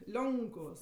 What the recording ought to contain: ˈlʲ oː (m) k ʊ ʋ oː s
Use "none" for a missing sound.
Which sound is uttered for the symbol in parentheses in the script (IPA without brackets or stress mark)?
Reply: ŋ